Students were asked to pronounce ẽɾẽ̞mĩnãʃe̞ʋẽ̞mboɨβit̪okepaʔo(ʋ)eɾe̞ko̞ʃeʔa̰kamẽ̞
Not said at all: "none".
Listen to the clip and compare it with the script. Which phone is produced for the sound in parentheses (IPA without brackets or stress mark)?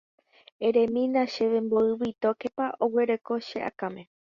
w